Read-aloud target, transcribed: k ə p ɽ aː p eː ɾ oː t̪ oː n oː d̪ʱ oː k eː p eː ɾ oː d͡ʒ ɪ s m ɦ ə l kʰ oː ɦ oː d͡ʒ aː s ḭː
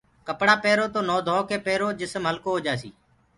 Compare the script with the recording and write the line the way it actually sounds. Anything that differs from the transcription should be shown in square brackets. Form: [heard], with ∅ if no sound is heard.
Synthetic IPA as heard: k ə p ɽ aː p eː ɾ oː t̪ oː n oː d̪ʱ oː k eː p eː ɾ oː d͡ʒ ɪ s m ɦ ə l [k] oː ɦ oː d͡ʒ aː s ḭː

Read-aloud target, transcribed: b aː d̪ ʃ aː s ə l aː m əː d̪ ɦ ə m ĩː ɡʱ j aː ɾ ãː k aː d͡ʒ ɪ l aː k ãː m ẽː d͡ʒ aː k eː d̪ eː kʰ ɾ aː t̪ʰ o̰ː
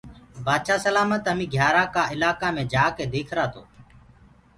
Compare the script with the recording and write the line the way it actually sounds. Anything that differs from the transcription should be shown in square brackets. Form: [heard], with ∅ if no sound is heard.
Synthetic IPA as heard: b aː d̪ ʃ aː s ə l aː m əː [t̪] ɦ ə m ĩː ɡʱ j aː ɾ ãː k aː [∅] ɪ l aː k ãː m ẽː d͡ʒ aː k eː d̪ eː kʰ ɾ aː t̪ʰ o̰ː

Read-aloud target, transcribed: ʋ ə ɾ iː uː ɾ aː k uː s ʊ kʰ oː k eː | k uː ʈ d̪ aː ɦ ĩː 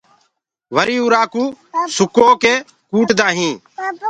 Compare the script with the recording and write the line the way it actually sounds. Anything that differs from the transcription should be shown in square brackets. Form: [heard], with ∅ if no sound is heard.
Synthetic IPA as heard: ʋ ə ɾ iː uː ɾ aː k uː s ʊ [k] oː k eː | k uː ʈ d̪ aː ɦ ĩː

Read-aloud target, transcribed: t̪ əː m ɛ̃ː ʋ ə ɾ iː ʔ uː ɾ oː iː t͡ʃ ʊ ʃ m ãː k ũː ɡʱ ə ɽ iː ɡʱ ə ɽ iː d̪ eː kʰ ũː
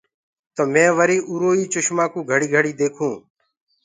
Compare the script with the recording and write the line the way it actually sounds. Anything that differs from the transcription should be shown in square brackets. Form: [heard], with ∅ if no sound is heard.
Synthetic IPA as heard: t̪ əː m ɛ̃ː ʋ ə ɾ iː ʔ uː ɾ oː iː t͡ʃ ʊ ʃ m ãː k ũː ɡʱ ə ɽ iː ɡʱ ə ɽ iː d̪ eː kʰ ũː

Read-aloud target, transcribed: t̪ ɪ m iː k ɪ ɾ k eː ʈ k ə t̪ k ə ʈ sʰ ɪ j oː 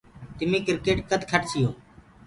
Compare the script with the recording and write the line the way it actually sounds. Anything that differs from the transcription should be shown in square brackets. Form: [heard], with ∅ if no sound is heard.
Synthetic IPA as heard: t̪ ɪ m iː k ɪ ɾ k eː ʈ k ə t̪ [kʰ] ə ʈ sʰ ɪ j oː

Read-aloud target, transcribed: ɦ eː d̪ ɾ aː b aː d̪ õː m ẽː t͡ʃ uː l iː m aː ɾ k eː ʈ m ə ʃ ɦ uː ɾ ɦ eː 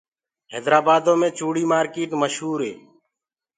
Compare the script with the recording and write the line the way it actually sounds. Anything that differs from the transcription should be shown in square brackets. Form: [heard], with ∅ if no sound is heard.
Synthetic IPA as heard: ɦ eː d̪ ɾ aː b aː d̪ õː m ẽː t͡ʃ uː [ɽ] iː m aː ɾ k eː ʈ m ə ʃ ɦ uː ɾ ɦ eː

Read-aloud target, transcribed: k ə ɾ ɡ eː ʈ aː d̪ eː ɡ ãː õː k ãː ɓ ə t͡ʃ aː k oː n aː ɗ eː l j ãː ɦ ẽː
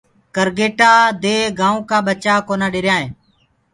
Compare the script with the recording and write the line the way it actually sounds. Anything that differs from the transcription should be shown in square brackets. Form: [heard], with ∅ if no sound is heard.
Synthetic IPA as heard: k ə ɾ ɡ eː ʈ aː d̪ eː ɡ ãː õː k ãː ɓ ə t͡ʃ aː k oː n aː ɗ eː [ɾ] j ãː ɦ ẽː

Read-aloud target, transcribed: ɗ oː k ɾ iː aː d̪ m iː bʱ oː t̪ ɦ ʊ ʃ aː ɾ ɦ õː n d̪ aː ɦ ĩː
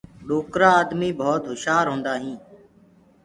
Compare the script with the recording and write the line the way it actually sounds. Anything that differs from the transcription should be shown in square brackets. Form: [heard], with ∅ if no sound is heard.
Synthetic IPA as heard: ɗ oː k ɾ [aː] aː d̪ m iː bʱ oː t̪ ɦ ʊ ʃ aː ɾ ɦ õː n d̪ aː ɦ ĩː

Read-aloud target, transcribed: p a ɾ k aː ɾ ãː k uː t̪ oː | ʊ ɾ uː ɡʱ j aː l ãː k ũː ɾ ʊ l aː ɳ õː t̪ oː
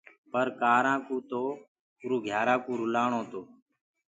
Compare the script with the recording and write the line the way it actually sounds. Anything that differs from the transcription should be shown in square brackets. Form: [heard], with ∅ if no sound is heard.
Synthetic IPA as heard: p [ə] ɾ k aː ɾ ãː k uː t̪ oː | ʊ ɾ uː ɡʱ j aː [ɾ] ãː k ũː ɾ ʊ l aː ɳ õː t̪ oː

